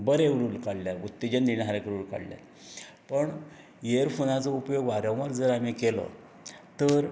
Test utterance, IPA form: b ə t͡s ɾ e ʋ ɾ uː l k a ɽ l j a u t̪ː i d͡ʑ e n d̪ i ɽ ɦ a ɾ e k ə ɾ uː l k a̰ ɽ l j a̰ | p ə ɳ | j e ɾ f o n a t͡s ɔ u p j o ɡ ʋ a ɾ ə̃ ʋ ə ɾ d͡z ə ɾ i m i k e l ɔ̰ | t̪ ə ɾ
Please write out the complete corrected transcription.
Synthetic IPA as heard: b ə ɾ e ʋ ɾ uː l k a ɽ l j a u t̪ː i d͡ʑ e n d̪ i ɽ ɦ a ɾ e k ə ɾ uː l k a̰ ɽ l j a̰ | p ə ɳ | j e ɾ f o n a t͡s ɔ u p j o ɡ ʋ a ɾ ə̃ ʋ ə ɾ d͡z ə ɾ a m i k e l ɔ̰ | t̪ ə ɾ